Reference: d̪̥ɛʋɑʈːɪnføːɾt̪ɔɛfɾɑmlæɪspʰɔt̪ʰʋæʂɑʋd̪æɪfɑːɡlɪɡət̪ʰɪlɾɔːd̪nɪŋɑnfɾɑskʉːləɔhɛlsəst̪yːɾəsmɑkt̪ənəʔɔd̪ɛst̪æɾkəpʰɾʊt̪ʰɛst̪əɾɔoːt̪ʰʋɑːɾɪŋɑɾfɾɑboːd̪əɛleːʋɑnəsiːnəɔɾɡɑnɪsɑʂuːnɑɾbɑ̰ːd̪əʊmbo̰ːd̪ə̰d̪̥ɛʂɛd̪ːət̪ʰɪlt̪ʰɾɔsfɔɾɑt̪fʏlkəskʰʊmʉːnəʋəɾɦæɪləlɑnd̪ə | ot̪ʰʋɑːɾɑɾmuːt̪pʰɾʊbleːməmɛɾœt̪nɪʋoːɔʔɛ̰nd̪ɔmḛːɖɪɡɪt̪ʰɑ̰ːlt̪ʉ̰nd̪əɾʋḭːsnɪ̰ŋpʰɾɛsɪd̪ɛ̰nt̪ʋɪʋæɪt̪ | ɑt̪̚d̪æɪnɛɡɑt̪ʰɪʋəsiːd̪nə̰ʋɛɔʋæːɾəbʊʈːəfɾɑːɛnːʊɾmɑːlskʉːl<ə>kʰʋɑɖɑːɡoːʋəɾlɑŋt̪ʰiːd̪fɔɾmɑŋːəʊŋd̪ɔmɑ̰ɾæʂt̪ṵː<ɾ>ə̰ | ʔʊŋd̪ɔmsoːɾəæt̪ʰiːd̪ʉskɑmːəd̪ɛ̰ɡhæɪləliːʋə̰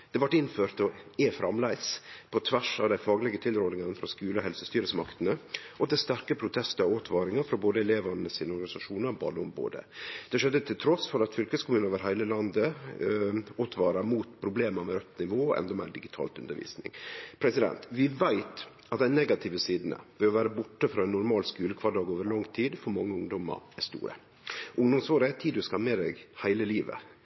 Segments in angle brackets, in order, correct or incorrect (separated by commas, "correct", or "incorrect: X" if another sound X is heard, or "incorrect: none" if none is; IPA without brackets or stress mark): correct, correct